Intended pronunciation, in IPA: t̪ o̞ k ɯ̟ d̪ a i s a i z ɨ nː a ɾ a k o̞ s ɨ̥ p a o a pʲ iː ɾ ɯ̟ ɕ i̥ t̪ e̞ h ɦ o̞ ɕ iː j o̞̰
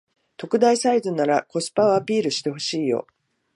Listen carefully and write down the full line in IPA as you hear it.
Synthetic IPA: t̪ o̞ k ɯ̟ d̪ a i s a i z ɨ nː a ɾ a k o̞ s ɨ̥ p a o a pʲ iː ɾ ɯ̟ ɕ i̥ t̪ e̞ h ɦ o̞ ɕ iː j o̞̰